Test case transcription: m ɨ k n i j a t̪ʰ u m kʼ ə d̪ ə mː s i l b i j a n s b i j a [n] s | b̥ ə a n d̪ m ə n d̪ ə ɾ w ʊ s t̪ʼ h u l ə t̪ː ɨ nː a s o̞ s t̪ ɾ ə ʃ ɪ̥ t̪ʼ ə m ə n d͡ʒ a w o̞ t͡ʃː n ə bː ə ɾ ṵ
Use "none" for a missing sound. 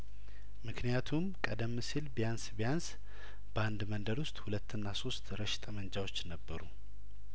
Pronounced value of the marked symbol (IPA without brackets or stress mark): n